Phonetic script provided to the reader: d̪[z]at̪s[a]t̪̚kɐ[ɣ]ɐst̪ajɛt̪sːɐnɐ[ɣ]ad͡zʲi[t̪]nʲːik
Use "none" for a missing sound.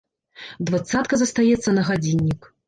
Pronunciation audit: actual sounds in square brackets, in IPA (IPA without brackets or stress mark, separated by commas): v, a, z, ɣ, none